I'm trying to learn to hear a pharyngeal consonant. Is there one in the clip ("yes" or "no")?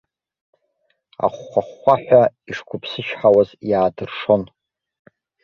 yes